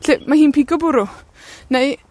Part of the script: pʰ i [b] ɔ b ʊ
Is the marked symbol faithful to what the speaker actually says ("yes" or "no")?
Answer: no